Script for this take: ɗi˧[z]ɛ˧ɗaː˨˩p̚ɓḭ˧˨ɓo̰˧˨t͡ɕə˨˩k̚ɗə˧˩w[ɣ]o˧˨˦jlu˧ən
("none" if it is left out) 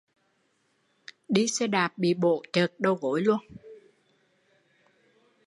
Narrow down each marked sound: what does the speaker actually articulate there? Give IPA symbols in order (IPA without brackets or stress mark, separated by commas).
s, ɣ